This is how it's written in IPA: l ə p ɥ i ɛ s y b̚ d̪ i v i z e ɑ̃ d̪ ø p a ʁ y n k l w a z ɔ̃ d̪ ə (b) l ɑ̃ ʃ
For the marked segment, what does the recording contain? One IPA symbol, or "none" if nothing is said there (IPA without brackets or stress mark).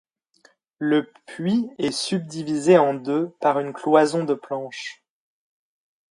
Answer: p